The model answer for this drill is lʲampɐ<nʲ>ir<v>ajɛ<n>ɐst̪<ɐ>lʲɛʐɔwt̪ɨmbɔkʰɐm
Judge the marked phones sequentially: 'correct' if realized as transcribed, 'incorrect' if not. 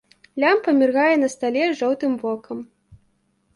incorrect: mʲ, incorrect: ɣ, correct, incorrect: a

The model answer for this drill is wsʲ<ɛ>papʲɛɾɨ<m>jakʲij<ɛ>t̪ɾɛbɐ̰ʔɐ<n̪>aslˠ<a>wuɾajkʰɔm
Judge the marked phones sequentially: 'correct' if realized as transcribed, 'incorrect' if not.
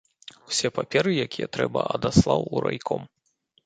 correct, incorrect: none, correct, incorrect: d̪, correct

